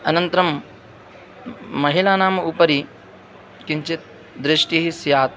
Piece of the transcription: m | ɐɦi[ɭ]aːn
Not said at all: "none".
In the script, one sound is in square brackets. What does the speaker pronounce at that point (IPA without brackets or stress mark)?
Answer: l